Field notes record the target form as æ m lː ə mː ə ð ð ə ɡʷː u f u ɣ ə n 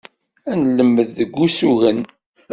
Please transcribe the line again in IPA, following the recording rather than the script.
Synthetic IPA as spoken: æ n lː ə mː ə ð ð ə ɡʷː u s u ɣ ə n